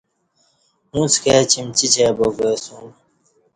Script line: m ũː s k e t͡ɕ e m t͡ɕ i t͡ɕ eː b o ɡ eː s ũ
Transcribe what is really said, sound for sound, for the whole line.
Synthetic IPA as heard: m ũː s k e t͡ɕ i m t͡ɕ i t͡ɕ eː b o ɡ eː s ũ